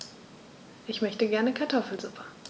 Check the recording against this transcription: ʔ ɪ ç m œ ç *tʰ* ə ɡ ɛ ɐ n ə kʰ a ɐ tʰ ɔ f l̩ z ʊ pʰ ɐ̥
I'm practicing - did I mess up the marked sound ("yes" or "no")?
yes